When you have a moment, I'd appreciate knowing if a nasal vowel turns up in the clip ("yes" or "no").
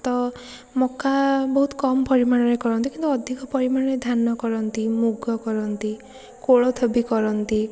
no